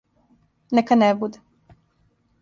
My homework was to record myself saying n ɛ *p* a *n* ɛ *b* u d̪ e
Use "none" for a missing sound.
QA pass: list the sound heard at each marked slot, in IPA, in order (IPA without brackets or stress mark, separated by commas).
k, n, b